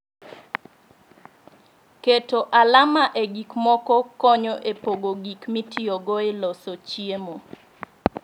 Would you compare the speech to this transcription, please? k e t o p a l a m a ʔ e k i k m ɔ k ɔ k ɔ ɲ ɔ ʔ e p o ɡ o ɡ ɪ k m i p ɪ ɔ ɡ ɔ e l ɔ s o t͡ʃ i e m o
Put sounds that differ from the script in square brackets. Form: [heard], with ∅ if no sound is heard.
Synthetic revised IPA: k e t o [ʔ] a l a m a ʔ e [ɡ] i k m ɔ k ɔ k ɔ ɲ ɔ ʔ e p o ɡ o ɡ [i] k m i [t] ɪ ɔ ɡ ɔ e l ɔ s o t͡ʃ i e m o